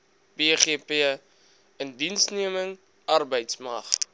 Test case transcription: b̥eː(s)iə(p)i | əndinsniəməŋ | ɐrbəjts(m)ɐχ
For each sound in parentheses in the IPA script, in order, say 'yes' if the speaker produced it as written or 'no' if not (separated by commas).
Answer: no, yes, yes